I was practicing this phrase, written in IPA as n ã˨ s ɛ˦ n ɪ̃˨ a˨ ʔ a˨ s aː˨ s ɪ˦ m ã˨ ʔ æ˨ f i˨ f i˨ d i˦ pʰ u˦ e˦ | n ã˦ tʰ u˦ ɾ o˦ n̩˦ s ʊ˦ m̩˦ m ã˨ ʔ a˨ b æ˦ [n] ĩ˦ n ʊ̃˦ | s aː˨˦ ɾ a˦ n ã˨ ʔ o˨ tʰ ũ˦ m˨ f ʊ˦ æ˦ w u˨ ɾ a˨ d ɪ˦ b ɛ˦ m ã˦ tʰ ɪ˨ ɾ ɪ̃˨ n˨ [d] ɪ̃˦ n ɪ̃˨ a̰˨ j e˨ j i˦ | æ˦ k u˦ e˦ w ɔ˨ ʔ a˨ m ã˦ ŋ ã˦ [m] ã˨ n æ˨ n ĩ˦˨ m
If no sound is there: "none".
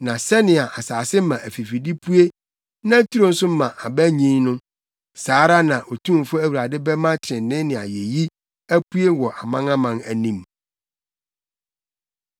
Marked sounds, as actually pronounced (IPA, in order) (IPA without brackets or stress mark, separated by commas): ɲ, n, m